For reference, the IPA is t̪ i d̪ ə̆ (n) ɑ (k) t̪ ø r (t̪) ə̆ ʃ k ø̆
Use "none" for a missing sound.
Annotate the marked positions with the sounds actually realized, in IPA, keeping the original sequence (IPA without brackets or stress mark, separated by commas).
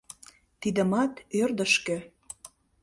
m, none, d̪